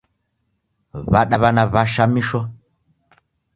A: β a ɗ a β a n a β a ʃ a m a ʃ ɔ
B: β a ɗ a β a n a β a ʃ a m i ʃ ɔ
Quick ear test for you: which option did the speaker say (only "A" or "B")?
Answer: B